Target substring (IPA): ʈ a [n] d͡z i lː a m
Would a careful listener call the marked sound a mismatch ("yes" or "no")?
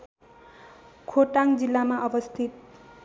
yes